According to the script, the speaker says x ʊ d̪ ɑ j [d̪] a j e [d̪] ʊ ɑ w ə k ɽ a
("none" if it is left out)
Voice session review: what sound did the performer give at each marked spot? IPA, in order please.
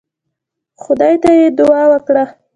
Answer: t̪, d̪

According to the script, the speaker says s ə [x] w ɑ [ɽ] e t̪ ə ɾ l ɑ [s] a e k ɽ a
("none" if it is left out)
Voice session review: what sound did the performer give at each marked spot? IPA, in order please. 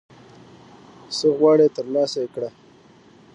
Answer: ɣ, ɽ, s

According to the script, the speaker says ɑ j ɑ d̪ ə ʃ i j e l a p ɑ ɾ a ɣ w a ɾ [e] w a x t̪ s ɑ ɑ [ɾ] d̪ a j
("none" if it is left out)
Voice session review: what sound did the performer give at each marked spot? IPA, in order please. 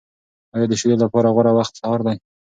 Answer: a, ɾ

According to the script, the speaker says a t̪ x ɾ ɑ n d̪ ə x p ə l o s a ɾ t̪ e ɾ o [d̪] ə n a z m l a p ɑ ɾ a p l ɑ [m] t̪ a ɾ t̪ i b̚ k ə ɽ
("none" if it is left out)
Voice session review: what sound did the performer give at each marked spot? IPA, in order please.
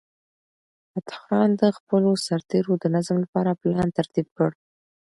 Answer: d̪, n

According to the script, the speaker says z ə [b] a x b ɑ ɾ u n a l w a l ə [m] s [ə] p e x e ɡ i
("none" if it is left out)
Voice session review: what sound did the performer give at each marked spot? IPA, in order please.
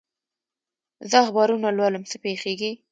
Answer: none, m, ə

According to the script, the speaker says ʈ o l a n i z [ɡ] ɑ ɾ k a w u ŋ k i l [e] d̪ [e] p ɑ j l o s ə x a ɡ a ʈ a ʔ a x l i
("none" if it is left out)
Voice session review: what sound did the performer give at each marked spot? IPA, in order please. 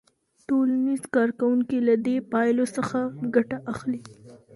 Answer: k, a, e

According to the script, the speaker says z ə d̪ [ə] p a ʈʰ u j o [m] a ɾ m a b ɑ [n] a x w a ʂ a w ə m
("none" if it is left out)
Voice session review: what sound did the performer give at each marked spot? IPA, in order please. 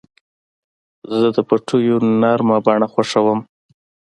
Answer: ə, n, ɳ

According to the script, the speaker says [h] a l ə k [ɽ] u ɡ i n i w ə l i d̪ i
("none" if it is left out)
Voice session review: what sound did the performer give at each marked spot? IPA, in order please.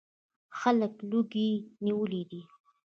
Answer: x, l

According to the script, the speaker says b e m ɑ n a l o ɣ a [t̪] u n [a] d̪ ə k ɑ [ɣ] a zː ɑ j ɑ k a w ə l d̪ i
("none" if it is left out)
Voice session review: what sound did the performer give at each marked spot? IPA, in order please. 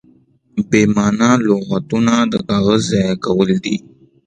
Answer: t̪, a, ɣ

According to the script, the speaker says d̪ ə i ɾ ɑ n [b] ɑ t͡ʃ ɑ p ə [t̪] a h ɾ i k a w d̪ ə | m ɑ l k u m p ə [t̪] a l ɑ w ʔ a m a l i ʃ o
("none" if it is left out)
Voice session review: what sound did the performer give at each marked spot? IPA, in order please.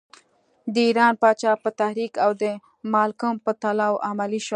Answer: p, t̪, t̪

